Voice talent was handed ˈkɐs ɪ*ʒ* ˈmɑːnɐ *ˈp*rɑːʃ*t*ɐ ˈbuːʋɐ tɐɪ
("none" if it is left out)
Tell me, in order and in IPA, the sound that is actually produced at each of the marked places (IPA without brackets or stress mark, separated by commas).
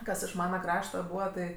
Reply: ʃ, k, t